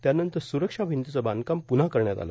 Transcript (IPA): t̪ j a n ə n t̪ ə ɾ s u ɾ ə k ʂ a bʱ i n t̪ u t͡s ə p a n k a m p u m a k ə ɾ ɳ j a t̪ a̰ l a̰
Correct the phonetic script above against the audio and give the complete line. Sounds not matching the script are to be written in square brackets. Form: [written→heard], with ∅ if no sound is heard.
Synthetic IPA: t̪ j a n ə n t̪ ə ɾ s u ɾ ə k ʂ a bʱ i n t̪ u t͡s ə [p→b] a n k a m p u [m→n] a k ə ɾ ɳ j a t̪ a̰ l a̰